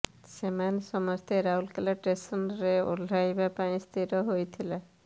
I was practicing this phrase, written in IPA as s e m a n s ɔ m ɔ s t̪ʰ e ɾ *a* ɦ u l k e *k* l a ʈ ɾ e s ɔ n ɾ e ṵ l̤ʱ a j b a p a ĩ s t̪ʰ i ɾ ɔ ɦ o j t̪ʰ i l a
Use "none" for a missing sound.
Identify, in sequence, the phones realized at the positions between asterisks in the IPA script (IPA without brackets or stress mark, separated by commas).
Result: a, none